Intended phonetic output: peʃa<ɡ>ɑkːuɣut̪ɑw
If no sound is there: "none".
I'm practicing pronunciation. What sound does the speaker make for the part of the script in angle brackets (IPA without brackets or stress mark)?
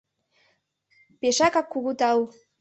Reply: k